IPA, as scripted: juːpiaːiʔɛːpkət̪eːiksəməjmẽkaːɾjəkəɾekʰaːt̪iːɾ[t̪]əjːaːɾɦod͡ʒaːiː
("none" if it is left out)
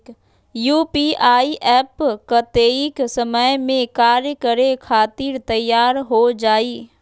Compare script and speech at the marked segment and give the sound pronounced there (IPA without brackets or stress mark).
t̪